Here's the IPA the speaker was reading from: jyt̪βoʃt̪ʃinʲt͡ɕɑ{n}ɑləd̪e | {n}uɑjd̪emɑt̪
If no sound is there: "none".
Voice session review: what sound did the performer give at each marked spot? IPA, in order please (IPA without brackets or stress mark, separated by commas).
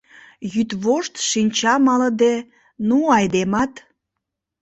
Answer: m, n